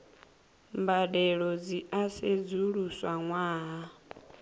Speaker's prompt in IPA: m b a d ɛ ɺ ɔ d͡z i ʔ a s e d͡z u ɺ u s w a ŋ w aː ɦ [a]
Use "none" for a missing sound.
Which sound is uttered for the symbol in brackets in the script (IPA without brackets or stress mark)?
a